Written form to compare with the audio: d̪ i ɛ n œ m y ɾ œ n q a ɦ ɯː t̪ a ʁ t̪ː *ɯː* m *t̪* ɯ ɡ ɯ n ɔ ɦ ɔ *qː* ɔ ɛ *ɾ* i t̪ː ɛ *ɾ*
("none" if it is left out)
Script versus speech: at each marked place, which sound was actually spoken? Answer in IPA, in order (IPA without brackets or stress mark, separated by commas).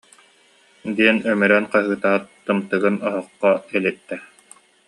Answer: ɯ, t̪, qː, l, none